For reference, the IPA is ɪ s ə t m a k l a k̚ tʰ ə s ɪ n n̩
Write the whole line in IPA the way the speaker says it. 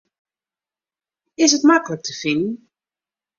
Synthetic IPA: ɪ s ə t m a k l ə k̚ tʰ ə f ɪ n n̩